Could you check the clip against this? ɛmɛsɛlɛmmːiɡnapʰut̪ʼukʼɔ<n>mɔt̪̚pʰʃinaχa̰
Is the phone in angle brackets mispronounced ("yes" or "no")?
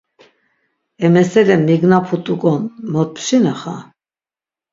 no